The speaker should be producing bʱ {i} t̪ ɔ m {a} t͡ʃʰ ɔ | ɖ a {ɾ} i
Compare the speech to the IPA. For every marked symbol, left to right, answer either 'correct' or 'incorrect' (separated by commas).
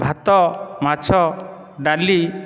incorrect, correct, incorrect